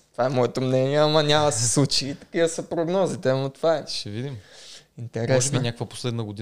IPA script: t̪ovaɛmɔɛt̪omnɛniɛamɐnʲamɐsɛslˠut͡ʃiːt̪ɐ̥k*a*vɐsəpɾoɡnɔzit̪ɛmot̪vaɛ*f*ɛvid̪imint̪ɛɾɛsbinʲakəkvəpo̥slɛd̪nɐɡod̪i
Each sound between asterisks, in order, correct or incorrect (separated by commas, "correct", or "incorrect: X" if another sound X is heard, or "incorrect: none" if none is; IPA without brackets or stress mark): incorrect: i, incorrect: ʃ